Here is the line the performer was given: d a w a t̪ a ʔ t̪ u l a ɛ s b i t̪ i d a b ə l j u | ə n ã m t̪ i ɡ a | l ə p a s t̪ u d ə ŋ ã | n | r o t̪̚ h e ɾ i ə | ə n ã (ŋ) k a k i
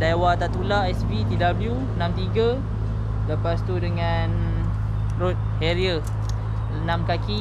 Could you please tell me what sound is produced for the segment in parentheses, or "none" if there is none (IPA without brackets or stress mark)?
m